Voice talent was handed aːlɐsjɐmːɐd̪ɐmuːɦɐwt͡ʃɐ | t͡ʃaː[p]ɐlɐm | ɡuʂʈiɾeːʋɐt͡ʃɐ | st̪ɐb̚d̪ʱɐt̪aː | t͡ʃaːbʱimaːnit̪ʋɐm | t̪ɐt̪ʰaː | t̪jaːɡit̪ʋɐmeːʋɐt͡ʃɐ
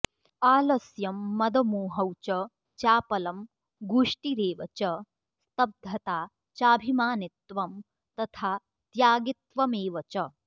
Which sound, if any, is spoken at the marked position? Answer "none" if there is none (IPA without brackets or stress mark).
p